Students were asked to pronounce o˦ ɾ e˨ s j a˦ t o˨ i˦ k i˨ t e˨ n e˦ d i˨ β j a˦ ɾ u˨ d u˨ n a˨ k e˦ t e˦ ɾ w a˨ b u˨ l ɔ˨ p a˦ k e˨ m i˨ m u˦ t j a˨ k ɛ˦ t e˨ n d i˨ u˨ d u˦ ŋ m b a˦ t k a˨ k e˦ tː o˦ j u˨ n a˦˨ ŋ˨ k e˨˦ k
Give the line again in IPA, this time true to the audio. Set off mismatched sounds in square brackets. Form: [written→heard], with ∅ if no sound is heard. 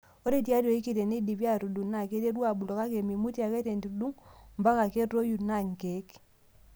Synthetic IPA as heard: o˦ ɾ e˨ [s→t] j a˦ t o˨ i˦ k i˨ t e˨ n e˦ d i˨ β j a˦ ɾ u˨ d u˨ n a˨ k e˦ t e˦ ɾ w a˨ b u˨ l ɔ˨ [p→k] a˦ k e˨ m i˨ m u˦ t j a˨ k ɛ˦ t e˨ n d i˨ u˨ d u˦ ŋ m b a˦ [t→∅] k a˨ k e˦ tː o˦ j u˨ n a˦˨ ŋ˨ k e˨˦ k

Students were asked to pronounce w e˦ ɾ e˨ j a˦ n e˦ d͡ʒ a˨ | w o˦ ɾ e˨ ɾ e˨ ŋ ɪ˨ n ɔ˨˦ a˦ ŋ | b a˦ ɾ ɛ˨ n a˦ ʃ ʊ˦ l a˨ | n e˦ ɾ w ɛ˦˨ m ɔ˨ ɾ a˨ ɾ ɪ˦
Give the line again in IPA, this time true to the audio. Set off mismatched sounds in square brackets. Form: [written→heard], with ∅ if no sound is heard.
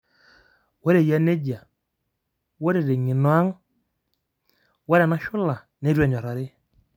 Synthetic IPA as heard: w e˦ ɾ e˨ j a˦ n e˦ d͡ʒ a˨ | w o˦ ɾ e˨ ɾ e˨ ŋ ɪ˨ n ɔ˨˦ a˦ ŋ | [b→w] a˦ ɾ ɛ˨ n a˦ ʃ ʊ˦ l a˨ | n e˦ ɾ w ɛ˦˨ [m→ɲ] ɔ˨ ɾ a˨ ɾ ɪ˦

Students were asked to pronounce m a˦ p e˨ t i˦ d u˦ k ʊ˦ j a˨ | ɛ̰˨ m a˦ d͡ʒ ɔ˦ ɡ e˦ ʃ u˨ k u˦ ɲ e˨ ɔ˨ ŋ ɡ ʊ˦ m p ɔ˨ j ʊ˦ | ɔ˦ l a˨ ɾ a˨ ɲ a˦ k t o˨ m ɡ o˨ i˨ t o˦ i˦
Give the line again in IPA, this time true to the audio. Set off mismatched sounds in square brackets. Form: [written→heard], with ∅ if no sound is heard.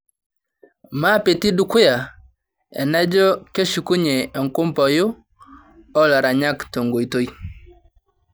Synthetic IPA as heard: m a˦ p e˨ t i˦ d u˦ k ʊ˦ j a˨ | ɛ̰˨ [m→n] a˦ d͡ʒ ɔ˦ [ɡ→k] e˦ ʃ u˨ k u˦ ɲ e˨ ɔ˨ ŋ [ɡ→k] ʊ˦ m p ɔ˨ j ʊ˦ | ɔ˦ l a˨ ɾ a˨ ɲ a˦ k t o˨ [m→ŋ] ɡ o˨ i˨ t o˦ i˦

